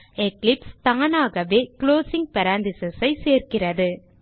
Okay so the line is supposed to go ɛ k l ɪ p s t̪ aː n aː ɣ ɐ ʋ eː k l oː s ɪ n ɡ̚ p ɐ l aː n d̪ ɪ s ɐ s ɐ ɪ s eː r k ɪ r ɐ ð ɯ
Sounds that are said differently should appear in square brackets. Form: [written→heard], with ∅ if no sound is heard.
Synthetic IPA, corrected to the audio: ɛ k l ɪ p s t̪ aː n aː ɣ ɐ ʋ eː k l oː s ɪ [n→ŋ] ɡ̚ p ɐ [l→ɾ] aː n d̪ ɪ s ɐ s ɐ ɪ s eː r k ɪ r ɐ ð ɯ